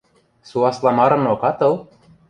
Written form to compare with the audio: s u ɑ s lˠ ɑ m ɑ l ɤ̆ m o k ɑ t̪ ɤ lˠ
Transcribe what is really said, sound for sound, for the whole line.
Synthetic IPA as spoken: s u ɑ s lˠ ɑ m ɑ ɾ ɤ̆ n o k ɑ t̪ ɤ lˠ